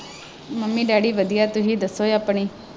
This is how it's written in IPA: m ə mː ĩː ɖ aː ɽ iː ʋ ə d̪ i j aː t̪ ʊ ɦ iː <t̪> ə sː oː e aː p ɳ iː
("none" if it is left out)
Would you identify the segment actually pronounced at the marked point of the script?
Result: d̪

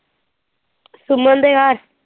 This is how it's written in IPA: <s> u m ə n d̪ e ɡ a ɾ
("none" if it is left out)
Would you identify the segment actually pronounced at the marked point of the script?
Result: s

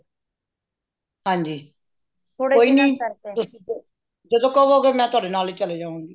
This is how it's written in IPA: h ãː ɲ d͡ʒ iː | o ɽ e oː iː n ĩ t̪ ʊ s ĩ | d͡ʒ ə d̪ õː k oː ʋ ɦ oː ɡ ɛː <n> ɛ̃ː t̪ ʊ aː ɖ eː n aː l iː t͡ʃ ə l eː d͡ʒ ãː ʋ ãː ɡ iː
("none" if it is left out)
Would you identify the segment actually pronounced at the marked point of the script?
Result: m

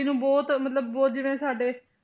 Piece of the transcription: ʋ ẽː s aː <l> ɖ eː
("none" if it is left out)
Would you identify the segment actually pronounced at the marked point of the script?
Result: none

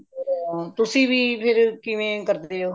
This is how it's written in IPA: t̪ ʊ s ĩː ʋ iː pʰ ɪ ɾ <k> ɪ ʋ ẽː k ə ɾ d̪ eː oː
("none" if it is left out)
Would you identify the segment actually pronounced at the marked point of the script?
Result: k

